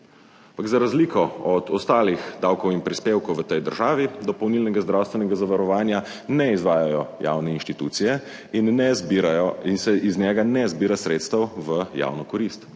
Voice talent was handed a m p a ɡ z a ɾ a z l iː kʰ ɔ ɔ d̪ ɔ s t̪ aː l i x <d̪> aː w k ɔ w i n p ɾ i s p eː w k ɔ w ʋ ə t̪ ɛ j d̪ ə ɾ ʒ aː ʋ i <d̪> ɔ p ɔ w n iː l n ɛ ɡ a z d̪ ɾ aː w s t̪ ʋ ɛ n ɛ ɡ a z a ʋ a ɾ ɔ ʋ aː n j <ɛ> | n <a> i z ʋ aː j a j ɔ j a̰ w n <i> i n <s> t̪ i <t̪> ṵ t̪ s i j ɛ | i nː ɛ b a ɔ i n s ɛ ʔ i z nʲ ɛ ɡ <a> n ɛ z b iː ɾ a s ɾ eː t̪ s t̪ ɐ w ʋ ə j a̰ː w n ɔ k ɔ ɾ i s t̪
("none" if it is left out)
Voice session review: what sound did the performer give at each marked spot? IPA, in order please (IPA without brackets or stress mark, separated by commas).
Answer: d̪, d̪, a, ɛ, ɛ, ʃ, t̪, a